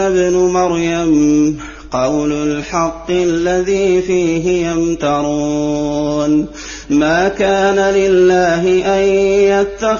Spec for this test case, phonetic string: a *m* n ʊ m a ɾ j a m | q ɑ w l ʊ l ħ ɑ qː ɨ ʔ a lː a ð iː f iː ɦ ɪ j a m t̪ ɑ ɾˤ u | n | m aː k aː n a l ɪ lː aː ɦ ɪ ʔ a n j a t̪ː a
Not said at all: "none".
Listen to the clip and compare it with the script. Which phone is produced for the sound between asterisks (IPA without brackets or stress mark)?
b